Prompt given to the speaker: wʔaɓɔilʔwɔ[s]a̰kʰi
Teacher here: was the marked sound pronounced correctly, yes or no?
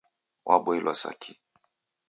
yes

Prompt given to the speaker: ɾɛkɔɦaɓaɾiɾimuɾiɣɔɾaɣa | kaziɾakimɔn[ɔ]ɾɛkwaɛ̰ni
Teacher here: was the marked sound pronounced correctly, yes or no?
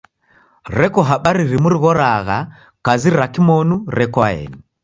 no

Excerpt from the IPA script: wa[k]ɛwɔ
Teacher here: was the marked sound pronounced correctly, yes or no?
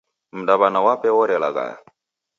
no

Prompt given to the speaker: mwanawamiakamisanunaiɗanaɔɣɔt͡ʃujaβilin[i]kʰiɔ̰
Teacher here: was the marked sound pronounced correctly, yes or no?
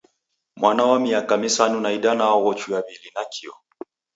no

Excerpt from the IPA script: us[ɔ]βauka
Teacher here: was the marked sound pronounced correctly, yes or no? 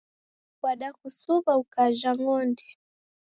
no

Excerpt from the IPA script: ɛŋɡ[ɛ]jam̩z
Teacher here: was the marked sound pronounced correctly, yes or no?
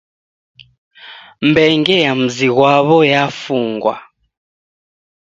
yes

